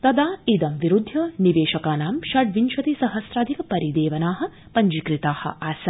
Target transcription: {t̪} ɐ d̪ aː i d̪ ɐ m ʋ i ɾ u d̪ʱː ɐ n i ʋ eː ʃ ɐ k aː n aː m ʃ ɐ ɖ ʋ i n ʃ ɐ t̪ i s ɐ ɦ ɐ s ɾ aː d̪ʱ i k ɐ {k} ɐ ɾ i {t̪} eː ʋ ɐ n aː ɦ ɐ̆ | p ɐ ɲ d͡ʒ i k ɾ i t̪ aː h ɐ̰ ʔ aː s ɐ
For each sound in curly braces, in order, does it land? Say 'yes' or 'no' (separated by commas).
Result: yes, no, no